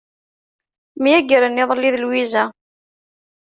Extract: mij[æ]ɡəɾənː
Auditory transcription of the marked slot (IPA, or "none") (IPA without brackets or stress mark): æ